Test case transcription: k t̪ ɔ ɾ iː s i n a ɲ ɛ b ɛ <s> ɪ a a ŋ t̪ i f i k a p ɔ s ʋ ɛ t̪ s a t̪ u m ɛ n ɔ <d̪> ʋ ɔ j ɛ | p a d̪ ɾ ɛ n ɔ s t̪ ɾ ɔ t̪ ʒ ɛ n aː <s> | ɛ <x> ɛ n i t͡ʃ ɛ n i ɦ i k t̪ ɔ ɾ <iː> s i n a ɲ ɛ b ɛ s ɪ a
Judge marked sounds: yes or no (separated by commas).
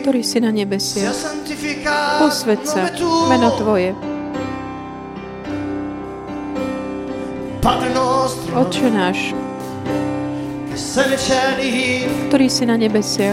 yes, no, no, no, yes